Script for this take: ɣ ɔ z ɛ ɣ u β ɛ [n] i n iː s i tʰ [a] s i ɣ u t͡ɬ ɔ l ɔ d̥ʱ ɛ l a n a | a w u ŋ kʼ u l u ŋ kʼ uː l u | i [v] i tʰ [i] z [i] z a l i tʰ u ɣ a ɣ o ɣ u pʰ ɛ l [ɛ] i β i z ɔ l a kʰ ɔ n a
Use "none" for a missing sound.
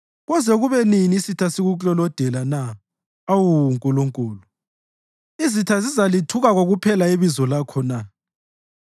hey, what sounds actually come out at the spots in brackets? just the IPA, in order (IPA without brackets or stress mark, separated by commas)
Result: n, a, z, a, i, a